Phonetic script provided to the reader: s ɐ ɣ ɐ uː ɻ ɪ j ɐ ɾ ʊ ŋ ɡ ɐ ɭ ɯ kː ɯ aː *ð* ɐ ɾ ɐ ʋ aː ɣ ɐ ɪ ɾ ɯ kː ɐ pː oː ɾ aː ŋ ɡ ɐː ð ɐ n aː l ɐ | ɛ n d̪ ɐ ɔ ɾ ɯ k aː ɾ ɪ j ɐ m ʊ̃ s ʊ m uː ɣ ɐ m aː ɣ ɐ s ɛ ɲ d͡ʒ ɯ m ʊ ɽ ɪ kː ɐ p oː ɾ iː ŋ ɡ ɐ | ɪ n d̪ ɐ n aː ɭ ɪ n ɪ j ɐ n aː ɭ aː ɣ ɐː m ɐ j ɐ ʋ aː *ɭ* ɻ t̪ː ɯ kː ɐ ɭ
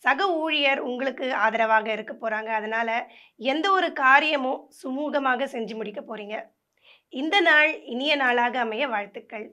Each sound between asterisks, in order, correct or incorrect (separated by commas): correct, incorrect